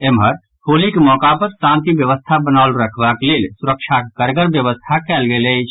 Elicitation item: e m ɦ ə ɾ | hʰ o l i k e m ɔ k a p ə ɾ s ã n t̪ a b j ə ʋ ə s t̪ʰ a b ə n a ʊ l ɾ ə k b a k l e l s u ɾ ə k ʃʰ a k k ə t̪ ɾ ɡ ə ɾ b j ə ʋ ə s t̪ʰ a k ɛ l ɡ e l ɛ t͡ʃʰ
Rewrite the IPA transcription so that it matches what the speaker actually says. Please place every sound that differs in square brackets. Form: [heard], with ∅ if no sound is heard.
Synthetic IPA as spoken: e m ɦ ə ɾ | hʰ o l i k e m ɔ k a p ə ɾ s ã n t̪ [i] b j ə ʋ ə s t̪ʰ a b ə n a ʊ l ɾ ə [kʰ] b a k l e l s u ɾ ə k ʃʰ a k k ə [∅] ɾ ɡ ə ɾ b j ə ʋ ə s t̪ʰ a k ɛ l ɡ e l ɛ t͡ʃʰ